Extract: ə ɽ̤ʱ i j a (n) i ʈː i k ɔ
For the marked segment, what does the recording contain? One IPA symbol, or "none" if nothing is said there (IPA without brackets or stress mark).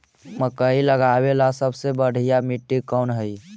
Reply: m